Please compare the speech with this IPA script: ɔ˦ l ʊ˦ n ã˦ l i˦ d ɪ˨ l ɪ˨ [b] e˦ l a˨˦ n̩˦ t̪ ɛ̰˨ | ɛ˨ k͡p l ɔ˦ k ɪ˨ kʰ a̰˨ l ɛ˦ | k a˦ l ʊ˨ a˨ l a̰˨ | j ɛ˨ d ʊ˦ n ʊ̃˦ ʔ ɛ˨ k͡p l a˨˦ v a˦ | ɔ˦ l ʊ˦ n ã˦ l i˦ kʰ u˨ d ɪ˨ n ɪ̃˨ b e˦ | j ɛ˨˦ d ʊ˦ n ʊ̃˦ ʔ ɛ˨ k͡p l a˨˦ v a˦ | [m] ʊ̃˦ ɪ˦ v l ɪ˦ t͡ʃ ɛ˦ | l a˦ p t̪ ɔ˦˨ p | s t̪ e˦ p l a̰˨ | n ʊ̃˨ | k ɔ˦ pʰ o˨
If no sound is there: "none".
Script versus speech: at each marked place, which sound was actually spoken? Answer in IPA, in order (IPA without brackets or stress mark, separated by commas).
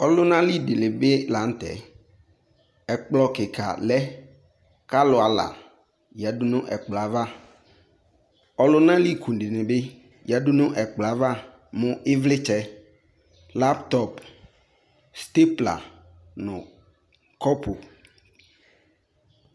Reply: b, m